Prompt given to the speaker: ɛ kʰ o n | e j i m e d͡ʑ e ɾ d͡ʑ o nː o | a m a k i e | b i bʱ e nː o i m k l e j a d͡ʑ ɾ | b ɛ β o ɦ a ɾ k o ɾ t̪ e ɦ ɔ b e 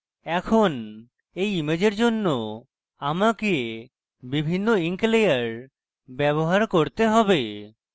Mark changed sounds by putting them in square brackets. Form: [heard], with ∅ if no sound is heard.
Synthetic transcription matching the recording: ɛ kʰ o n | e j i m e d͡ʑ e ɾ d͡ʑ o nː o | a m a k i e | b i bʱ [i] nː o i [ŋ] k l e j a [∅] ɾ | b ɛ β o ɦ a ɾ k o ɾ t̪ e ɦ ɔ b e